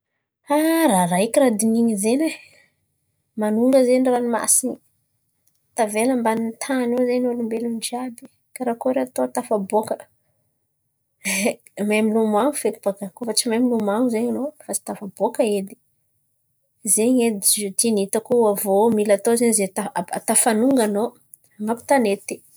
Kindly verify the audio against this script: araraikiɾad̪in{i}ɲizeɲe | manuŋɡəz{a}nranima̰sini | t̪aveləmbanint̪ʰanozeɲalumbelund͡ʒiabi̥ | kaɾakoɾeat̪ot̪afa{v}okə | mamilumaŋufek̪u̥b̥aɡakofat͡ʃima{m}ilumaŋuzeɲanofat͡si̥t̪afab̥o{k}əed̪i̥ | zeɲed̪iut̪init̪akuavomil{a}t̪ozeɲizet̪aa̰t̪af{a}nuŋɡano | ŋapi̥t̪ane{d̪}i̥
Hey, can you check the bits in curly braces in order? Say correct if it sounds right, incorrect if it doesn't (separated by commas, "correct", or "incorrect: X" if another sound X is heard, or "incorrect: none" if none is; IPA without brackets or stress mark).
correct, incorrect: e, incorrect: b, correct, correct, correct, correct, incorrect: t̪